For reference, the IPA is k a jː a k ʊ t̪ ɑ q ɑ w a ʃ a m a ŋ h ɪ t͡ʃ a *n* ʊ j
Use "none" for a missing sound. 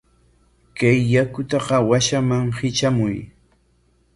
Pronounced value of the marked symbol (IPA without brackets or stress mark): m